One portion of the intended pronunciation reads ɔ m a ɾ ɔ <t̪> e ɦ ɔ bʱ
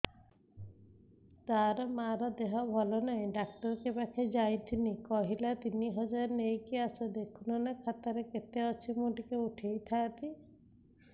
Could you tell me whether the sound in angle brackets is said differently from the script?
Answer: yes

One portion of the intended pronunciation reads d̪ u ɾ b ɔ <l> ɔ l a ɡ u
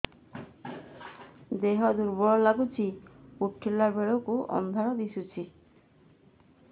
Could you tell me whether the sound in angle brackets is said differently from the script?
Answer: yes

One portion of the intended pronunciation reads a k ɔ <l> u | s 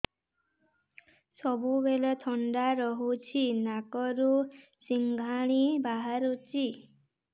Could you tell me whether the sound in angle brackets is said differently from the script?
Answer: yes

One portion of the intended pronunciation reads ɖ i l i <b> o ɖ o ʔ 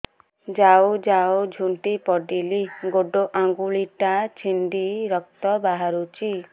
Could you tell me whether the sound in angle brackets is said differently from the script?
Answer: yes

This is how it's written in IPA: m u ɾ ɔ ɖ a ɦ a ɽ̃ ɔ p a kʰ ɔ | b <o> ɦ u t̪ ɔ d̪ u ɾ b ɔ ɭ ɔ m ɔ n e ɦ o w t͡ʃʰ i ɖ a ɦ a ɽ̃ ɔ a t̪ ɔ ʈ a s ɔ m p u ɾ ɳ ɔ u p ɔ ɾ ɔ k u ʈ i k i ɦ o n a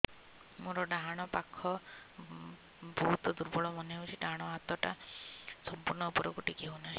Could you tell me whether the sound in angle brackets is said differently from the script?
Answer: yes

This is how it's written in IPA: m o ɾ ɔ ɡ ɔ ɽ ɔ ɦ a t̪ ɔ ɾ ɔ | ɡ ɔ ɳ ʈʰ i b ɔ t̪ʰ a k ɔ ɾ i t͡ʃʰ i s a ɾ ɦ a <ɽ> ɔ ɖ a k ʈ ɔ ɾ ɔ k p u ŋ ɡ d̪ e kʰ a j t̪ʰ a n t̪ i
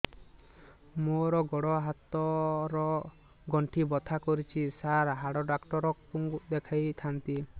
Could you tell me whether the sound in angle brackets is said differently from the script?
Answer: no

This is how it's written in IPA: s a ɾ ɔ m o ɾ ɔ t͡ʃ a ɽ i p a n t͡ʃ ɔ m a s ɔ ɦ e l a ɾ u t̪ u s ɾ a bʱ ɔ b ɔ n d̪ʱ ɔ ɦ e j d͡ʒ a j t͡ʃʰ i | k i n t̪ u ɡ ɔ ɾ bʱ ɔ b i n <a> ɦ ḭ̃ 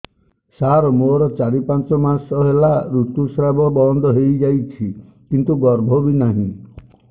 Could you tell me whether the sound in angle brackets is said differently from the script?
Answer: no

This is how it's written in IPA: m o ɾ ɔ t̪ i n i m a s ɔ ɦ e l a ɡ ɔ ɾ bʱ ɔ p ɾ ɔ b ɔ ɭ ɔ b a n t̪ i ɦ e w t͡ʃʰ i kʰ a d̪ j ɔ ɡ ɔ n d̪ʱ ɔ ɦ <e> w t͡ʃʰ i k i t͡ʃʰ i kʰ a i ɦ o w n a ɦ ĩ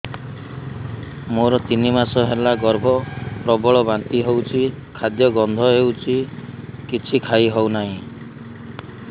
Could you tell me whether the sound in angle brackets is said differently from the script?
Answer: no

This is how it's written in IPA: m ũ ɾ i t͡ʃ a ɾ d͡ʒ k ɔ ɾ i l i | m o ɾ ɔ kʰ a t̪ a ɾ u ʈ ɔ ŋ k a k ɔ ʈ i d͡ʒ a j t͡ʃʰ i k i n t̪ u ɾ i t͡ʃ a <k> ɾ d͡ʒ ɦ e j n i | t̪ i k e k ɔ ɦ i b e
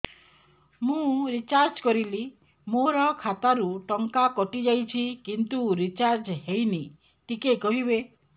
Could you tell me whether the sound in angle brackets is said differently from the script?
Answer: yes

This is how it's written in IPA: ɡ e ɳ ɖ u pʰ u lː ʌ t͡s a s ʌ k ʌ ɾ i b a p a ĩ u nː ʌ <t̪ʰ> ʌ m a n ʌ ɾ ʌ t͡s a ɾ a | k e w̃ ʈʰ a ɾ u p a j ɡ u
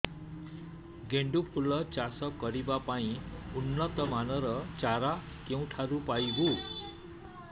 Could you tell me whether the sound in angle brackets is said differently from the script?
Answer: yes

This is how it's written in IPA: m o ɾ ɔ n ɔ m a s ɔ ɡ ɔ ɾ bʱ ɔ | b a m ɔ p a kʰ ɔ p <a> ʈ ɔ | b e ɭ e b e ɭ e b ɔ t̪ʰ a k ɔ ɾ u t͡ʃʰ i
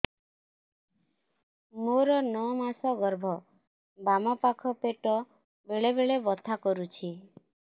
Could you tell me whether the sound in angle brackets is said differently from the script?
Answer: yes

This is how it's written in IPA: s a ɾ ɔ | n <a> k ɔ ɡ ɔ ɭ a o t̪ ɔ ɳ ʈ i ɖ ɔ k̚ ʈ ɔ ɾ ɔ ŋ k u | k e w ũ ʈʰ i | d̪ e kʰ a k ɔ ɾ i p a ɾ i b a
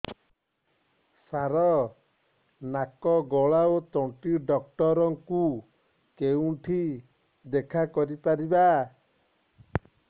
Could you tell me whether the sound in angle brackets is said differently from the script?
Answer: no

